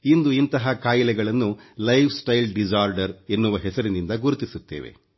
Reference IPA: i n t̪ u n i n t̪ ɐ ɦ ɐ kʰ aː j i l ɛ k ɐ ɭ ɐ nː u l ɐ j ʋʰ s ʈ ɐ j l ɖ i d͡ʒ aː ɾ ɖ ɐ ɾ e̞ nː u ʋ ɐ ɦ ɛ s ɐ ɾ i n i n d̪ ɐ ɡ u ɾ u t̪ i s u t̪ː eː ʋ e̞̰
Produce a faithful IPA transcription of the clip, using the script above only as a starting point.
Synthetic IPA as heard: i n d̪ u i n t̪ ɐ ɦ ɐ k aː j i l ɛ ɡ ɐ ɭ ɐ nː u l ɐ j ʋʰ s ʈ ɐ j l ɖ i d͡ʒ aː ɾ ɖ ɐ ɾ e̞ nː u ʋ ɐ ɦ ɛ s ɐ ɾ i n i n d̪ ɐ ɡ u ɾ u t̪ i s u t̪ː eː ʋ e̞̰